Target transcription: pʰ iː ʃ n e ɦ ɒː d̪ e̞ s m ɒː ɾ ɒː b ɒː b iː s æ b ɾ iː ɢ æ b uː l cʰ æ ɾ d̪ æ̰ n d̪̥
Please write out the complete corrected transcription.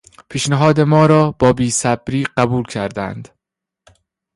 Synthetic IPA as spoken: pʰ iː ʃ n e ɦ ɒː d̪ e̞ m ɒː ɾ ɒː b ɒː b iː s æ b ɾ iː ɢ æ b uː l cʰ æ ɾ d̪ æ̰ n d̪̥